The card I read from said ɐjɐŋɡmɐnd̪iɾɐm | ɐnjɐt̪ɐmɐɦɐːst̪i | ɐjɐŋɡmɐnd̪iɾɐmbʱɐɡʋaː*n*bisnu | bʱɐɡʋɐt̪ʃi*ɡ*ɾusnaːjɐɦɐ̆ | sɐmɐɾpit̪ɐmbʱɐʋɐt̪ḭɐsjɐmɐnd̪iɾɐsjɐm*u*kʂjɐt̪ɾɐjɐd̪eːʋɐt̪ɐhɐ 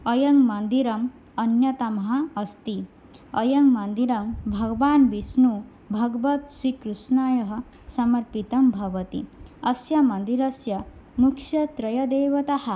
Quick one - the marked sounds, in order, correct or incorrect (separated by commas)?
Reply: correct, incorrect, correct